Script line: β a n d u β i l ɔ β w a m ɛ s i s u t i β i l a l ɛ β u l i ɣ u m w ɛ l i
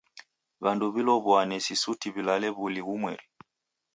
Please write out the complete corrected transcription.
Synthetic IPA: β a n d u β i l ɔ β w a n ɛ s i s u t i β i l a l ɛ β u l i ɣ u m w ɛ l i